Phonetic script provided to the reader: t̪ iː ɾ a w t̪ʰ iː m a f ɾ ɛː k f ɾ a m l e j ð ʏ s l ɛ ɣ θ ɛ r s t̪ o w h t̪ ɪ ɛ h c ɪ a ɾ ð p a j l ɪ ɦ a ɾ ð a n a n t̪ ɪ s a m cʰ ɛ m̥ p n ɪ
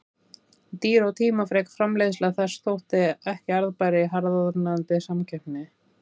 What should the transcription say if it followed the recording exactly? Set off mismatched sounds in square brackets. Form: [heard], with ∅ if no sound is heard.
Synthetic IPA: t̪ iː ɾ a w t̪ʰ iː m a f ɾ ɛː k f ɾ a m l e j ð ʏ s l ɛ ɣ θ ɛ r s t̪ o w h t̪ ɪ ɛ h c ɪ a ɾ ð p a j [ɾ] ɪ ɦ a ɾ ð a n a n t̪ ɪ s a m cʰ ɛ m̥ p n ɪ